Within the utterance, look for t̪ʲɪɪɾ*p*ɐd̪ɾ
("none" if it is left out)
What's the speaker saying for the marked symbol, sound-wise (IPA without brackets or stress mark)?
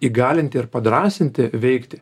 p